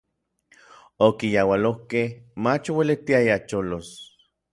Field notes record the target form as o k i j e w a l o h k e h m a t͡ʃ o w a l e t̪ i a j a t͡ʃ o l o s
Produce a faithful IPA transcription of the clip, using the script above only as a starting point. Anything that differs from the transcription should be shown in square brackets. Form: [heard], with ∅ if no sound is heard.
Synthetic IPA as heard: o k i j [a] w a l o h k e h m a t͡ʃ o w [e] l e t̪ i a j a t͡ʃ o l o s